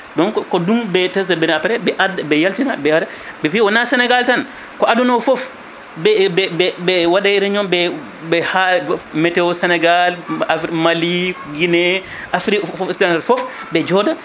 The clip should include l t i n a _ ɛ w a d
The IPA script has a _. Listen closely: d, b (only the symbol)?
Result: b